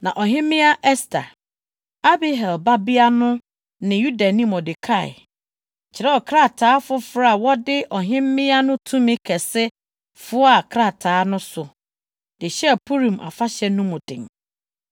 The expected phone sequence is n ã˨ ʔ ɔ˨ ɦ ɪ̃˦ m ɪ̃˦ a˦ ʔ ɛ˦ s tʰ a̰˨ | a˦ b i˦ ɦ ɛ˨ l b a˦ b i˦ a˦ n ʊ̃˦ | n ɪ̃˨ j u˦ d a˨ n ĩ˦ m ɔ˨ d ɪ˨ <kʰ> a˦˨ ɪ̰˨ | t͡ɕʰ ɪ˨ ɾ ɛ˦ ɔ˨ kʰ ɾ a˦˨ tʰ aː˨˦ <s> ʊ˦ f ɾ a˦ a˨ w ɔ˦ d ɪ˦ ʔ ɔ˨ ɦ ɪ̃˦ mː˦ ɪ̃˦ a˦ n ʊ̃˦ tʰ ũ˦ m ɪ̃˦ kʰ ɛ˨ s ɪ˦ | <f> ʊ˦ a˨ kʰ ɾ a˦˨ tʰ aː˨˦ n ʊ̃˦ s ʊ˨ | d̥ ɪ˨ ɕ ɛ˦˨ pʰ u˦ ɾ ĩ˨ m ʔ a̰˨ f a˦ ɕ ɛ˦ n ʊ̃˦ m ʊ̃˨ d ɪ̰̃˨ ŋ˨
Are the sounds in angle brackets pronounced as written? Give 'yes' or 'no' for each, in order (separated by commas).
yes, no, yes